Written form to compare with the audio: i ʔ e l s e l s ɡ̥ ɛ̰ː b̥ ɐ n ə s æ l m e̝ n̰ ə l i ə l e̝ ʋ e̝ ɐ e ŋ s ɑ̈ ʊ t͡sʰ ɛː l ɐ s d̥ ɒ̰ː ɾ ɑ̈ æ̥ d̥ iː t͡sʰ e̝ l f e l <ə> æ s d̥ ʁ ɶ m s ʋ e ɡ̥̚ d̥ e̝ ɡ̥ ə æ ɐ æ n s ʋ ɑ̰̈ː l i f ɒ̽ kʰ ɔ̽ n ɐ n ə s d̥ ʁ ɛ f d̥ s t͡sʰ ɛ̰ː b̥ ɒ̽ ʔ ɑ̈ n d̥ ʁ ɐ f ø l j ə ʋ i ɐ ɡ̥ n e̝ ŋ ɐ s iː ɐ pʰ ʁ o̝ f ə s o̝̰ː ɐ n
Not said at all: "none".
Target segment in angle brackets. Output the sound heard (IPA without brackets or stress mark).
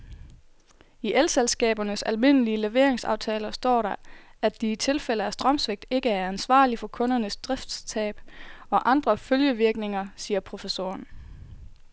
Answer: ə